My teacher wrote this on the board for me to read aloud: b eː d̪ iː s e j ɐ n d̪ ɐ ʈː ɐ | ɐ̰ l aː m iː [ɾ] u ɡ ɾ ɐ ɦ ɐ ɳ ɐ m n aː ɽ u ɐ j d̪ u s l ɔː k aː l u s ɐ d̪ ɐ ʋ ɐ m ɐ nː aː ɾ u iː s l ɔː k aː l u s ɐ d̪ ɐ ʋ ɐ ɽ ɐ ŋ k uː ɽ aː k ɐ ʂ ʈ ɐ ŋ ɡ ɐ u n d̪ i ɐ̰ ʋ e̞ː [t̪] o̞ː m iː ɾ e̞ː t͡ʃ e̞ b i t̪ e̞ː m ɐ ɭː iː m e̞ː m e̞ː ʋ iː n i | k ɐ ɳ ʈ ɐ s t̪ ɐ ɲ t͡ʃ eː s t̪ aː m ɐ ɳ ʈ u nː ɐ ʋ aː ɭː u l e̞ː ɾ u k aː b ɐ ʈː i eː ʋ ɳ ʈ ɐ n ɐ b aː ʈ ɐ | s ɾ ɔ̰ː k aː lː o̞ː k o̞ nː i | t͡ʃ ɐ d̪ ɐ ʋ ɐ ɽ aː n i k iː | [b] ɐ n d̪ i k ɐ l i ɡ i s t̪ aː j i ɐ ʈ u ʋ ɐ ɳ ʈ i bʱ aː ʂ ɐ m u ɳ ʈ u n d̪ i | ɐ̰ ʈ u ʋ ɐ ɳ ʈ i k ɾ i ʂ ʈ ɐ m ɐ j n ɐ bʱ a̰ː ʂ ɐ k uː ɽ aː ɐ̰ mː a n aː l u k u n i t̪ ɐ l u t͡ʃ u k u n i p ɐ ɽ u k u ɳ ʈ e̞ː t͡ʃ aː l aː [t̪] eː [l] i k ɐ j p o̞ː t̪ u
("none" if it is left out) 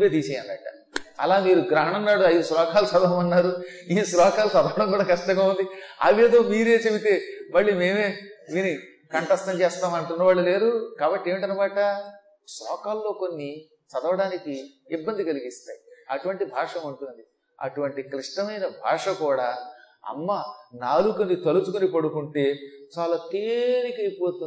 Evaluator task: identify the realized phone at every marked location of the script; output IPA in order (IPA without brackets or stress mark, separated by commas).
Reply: ɾ, d̪, bː, t̪, ɾ